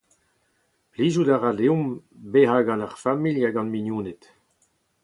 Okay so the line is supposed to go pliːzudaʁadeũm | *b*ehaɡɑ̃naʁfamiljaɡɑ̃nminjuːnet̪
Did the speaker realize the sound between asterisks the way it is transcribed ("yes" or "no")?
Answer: yes